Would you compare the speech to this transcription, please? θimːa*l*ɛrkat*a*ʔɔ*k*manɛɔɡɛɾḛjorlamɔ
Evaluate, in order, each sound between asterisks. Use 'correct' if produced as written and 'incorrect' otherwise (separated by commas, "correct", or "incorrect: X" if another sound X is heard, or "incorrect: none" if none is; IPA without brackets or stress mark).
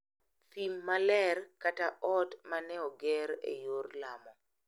correct, correct, incorrect: t